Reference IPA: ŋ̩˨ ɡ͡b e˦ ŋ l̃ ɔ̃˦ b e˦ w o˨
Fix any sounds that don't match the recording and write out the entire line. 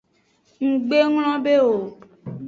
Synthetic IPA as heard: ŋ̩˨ ɡ͡b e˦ ŋ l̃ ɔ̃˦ b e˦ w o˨